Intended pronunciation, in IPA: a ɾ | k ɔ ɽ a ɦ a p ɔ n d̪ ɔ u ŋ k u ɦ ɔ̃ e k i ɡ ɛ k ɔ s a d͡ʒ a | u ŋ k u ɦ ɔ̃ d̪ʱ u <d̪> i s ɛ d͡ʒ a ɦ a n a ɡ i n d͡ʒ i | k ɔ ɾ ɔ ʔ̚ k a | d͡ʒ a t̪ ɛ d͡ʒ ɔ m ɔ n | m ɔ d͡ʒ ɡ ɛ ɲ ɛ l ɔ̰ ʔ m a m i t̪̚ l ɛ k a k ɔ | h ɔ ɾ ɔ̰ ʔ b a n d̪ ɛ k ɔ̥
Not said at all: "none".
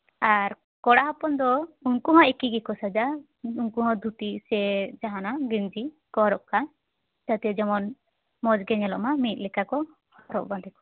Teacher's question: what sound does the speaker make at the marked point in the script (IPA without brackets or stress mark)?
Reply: t̪